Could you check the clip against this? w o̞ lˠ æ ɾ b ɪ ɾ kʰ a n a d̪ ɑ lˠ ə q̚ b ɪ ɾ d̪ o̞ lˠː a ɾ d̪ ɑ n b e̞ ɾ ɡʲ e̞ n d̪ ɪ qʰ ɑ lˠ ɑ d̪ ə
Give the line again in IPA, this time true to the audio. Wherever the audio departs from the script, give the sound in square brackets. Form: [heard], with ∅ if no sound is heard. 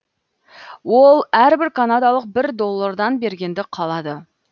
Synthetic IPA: w o̞ lˠ æ ɾ b ɪ ɾ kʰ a n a d̪ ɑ lˠ ə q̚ b ɪ ɾ d̪ o̞ lˠː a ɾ d̪ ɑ n b e̞ ɾ ɡʲ e̞ n d̪ ɪ qʰ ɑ lˠ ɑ d̪ ə